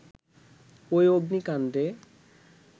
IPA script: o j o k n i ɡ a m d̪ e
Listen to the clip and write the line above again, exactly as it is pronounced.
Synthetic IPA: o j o ɡ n i k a n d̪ e